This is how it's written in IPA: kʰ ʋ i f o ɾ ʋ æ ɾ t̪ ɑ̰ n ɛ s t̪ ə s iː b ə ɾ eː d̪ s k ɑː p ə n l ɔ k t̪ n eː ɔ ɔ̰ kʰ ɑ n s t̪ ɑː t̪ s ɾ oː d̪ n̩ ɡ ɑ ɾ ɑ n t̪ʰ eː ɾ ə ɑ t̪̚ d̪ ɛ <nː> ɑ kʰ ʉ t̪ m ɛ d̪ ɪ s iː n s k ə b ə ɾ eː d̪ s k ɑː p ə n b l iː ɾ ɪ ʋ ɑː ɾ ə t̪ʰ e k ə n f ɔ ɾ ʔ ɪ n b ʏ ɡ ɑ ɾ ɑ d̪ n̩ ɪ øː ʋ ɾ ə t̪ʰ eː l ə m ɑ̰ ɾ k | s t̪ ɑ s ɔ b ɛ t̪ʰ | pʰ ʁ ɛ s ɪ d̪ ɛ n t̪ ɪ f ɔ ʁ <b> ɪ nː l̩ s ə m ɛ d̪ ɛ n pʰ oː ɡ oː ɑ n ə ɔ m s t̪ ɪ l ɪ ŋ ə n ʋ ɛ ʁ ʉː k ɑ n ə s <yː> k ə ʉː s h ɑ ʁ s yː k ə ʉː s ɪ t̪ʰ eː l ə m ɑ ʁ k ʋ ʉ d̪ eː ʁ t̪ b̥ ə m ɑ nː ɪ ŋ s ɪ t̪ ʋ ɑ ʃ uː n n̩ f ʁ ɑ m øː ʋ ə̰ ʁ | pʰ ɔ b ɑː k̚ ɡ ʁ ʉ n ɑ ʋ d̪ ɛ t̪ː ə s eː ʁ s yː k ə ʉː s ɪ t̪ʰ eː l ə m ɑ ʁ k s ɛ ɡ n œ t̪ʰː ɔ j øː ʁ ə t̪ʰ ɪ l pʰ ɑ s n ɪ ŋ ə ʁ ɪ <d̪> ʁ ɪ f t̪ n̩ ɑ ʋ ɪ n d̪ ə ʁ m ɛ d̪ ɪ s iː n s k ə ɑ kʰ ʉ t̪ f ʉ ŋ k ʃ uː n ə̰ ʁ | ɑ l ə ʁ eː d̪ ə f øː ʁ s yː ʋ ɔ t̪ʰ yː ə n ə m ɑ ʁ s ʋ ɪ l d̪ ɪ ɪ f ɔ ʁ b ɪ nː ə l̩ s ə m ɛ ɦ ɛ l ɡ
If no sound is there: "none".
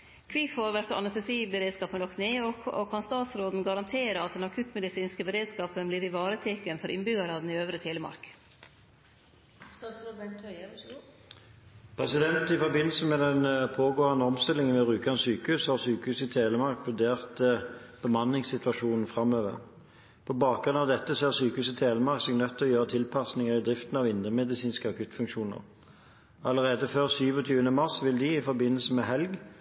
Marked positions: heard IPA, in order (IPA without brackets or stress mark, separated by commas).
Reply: n, b, yː, d̪